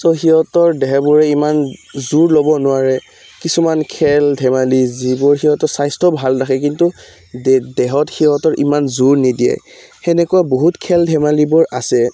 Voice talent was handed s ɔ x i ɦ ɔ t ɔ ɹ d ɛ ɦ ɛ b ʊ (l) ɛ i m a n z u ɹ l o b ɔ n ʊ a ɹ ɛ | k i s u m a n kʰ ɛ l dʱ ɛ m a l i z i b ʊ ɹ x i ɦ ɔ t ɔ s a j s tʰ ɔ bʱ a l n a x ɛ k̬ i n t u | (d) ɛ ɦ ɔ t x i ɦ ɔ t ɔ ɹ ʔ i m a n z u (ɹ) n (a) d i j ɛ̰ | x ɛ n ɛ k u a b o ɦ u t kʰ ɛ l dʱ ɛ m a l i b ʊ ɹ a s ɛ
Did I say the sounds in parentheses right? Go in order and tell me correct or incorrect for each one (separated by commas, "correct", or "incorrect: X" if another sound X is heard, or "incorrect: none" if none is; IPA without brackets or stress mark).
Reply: incorrect: ɹ, correct, correct, incorrect: i